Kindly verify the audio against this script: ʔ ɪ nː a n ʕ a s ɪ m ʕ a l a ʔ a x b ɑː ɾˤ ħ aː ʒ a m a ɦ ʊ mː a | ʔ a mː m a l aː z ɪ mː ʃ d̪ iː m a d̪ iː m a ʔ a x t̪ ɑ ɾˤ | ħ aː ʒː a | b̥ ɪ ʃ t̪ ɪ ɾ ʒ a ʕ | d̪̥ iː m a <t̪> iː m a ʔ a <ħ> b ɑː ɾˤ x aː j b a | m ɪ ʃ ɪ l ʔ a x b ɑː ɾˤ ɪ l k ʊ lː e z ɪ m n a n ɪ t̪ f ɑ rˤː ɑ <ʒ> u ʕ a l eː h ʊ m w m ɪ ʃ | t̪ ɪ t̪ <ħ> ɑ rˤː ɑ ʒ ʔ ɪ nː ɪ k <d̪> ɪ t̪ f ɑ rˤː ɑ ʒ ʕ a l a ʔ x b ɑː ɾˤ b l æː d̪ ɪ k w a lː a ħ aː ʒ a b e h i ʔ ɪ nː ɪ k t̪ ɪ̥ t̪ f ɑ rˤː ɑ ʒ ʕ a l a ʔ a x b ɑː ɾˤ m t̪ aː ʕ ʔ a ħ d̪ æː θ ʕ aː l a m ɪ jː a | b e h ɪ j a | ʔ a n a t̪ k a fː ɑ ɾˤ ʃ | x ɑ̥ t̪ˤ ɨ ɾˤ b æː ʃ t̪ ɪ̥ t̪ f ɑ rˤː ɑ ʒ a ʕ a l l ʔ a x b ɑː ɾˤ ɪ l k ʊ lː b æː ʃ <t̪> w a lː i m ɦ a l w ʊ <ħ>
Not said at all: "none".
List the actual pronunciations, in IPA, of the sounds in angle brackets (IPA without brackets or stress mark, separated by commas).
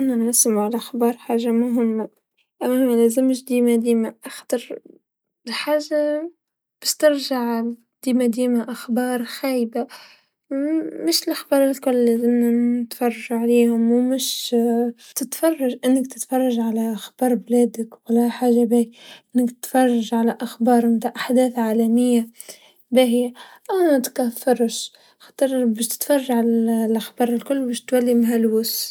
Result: d̪, x, ʒ, f, t̪, t̪, s